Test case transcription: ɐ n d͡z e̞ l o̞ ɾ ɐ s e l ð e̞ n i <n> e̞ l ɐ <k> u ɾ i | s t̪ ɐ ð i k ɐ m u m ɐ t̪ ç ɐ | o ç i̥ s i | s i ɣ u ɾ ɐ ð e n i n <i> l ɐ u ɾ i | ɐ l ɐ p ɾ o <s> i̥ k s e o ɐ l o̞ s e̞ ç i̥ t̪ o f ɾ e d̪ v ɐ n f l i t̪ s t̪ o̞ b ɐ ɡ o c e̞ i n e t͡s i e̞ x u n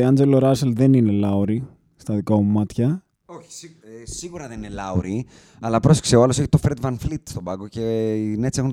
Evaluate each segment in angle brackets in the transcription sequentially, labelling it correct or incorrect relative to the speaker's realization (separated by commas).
correct, incorrect, incorrect, correct